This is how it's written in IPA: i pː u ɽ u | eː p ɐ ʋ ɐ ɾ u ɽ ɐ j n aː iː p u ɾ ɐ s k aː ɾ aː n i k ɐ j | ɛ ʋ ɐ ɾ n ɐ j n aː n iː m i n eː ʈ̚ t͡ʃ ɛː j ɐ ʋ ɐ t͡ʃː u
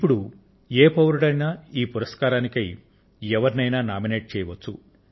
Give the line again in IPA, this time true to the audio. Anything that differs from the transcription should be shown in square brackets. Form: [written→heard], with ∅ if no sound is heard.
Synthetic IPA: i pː u ɽ u | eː p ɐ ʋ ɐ ɾ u ɽ ɐ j n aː iː p u ɾ ɐ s k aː ɾ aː n i k ɐ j | ɛ ʋ ɐ ɾ n ɐ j n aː n [iː→aː] m i n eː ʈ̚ t͡ʃ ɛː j ɐ ʋ ɐ t͡ʃː u